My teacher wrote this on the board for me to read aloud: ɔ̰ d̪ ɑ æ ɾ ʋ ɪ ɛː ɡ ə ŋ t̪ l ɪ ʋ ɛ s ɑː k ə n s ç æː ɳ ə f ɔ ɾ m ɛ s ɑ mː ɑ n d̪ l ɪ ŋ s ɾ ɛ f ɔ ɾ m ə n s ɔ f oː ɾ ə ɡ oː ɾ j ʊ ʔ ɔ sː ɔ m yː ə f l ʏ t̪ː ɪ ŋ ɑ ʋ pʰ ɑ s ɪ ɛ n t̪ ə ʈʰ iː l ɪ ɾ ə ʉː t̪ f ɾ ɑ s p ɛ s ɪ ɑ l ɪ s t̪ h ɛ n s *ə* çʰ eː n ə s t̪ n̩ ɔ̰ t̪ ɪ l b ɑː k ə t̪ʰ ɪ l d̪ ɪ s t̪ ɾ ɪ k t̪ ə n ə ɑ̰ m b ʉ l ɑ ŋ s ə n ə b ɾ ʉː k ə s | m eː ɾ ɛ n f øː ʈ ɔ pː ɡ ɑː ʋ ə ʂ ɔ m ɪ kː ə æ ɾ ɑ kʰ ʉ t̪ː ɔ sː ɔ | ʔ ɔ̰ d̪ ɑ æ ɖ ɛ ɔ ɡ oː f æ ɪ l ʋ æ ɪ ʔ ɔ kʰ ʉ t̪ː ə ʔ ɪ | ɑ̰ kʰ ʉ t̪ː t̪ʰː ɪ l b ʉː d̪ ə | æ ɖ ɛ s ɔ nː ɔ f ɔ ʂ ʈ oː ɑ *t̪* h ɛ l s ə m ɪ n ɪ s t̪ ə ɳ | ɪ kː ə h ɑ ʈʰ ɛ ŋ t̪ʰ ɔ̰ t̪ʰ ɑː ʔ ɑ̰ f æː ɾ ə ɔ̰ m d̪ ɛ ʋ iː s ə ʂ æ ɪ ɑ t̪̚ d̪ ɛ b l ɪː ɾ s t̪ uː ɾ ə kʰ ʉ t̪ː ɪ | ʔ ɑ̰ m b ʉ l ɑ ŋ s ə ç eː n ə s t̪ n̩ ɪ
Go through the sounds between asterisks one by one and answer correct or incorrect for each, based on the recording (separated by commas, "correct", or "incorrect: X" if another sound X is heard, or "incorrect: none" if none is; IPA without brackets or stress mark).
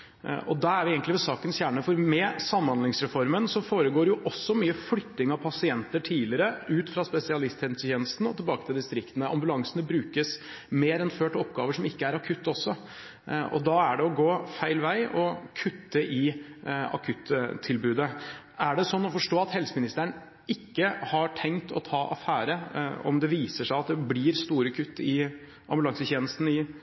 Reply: correct, correct